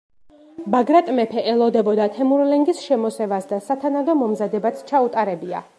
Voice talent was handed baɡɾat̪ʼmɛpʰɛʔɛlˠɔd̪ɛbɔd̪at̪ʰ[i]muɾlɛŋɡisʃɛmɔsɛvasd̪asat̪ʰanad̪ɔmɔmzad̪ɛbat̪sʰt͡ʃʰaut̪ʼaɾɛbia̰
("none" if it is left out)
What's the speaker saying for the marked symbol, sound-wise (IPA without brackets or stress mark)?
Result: ɛ